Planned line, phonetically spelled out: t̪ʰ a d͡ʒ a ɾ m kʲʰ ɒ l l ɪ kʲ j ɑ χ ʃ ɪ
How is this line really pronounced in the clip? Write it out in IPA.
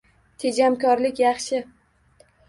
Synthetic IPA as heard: t̪ʰ e d͡ʒ a m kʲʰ ɒ ɾ l ɪ kʲ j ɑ χ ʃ ɪ